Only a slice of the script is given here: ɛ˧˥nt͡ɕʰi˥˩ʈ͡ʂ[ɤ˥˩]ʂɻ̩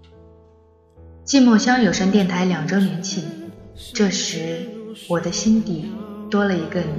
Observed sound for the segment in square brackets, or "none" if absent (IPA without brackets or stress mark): ɤ˥˩